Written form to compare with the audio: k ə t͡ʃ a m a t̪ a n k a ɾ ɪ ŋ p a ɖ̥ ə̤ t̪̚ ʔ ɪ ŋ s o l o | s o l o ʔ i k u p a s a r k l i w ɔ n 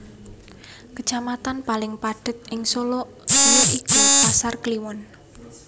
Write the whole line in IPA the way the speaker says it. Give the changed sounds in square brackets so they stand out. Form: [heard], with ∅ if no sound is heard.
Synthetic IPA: k ə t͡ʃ a m a t̪ a n [p] a [l] ɪ ŋ p a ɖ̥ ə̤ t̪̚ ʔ ɪ ŋ s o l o | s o l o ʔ i k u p a s a r k l i w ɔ n